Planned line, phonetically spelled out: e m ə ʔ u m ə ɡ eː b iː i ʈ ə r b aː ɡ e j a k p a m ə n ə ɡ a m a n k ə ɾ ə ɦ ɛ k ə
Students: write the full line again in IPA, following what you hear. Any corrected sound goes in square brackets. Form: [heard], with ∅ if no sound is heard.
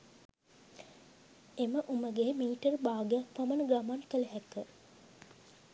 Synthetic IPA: e m ə ʔ u m ə ɡ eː [m] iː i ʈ ə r b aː ɡ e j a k p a m ə n ə ɡ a m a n k ə [l] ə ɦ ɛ k ə